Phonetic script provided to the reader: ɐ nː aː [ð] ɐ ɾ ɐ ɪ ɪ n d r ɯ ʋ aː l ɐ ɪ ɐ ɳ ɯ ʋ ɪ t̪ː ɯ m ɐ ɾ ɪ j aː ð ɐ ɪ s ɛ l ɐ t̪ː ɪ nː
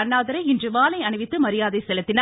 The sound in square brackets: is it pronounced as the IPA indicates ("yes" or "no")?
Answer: yes